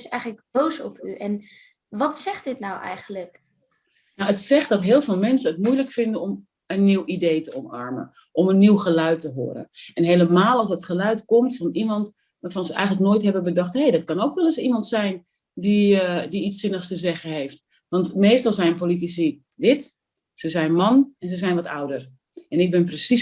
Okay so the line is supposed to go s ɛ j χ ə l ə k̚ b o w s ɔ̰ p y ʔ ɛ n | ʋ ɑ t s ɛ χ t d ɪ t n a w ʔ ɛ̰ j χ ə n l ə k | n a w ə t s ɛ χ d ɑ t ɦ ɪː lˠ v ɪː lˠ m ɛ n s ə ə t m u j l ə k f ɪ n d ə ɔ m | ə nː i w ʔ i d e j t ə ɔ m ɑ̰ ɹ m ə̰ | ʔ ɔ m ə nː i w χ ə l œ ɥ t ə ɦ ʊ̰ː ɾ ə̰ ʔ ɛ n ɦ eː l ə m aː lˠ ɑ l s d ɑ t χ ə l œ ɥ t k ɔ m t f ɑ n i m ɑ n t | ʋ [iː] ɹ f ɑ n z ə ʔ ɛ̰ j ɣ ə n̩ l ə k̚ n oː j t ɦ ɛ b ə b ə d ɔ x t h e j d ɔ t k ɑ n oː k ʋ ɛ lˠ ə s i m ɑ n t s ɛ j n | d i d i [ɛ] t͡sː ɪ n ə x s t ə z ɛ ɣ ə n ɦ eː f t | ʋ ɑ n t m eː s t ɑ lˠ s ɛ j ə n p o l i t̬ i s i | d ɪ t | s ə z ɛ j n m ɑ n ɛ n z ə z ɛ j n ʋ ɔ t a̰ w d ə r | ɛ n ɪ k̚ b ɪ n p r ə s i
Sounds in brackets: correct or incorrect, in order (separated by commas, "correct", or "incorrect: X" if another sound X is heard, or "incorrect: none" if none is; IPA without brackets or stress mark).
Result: incorrect: aː, incorrect: i